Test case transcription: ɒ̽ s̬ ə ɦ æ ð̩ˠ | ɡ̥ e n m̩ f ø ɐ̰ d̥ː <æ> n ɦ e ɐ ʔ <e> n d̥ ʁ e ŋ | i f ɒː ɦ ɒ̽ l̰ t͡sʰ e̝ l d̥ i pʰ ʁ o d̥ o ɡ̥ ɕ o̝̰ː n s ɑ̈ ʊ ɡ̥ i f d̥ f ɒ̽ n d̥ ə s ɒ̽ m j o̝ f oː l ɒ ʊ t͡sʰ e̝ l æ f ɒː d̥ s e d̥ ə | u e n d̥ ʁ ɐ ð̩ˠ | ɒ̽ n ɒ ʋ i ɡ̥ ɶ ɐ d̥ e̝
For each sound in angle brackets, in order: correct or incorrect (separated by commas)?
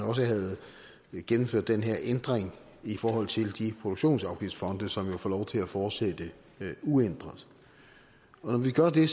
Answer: incorrect, correct